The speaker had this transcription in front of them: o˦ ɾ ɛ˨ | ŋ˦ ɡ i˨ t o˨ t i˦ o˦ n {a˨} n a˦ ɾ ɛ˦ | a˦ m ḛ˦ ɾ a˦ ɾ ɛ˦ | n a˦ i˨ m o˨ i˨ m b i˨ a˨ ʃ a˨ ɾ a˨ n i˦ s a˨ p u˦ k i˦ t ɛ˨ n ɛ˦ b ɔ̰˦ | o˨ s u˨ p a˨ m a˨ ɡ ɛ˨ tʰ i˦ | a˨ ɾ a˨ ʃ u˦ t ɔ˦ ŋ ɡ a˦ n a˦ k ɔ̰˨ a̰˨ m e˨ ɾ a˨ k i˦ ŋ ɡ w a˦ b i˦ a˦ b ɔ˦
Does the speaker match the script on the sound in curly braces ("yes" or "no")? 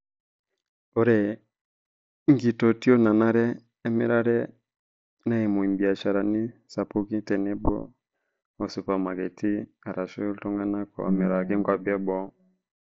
yes